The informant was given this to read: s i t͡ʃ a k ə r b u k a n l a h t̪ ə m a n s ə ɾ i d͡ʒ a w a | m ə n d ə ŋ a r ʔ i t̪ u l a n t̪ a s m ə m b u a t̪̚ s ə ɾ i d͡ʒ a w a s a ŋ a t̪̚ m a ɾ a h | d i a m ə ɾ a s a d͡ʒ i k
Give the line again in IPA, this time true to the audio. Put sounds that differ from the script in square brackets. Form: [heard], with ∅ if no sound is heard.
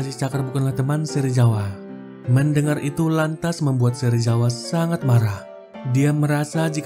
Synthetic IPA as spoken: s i t͡ʃ a k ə r b u k a n l a h t̪ ə m a n s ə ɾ i d͡ʒ a w a | m ə n d ə ŋ a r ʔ i t̪ u l a n t̪ a s m ə m b u a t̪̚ s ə ɾ i d͡ʒ a w a s a ŋ a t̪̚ m a ɾ a h | d i a m ə ɾ a s a d͡ʒ i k